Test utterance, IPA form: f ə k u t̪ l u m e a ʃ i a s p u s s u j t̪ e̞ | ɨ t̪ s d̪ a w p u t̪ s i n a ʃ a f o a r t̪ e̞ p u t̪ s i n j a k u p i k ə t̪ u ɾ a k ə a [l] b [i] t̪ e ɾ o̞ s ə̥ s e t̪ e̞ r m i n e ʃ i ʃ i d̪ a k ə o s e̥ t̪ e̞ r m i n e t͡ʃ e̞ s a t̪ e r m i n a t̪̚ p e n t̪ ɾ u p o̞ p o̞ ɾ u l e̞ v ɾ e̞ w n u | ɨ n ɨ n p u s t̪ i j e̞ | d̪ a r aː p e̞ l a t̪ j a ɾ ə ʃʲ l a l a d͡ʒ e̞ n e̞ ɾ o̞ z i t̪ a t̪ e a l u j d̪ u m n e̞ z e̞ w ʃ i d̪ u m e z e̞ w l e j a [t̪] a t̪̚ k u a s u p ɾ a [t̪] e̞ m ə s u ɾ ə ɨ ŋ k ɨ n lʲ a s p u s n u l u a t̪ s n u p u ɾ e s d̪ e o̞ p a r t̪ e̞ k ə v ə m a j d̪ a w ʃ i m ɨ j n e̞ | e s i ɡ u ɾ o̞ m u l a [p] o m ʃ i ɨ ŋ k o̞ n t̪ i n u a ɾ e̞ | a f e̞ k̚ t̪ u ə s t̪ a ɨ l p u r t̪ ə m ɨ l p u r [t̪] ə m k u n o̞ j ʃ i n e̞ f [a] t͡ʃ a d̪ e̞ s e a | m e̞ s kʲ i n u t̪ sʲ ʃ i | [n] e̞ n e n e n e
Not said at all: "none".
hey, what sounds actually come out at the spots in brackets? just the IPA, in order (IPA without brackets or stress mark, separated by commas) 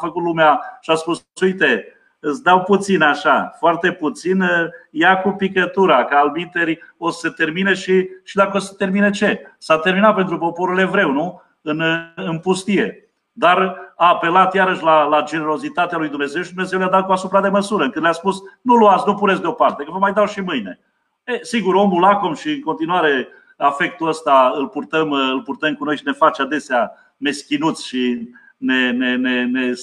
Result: l, i, d̪, d̪, k, t̪, a, n